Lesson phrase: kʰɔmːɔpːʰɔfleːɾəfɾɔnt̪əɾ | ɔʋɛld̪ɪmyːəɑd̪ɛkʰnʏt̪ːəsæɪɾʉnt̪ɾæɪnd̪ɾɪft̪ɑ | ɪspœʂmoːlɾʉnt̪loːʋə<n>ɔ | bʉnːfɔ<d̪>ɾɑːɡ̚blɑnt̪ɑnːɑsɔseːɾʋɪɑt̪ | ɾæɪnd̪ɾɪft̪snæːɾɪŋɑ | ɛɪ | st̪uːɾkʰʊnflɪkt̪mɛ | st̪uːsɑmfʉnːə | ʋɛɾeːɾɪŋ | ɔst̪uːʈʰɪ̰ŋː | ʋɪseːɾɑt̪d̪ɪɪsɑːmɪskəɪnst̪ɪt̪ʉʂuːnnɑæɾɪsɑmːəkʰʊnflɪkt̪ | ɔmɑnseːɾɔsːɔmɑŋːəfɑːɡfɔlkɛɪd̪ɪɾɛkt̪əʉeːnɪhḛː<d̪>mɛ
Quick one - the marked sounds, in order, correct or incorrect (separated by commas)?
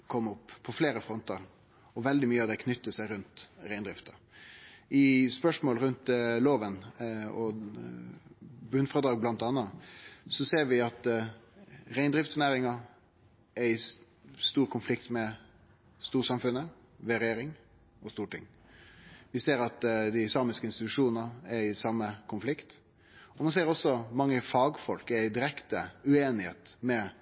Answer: correct, correct, incorrect